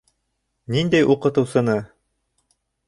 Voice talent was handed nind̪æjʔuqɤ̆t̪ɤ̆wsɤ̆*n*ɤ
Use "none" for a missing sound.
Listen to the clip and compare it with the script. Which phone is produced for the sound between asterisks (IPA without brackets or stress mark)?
n